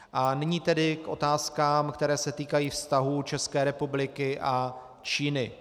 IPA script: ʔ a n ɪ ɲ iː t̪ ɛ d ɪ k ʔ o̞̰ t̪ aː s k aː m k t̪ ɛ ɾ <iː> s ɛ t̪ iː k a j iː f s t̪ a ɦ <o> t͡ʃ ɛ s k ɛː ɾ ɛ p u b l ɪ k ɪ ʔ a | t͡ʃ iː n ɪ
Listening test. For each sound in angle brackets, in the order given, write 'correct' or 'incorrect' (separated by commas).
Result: incorrect, incorrect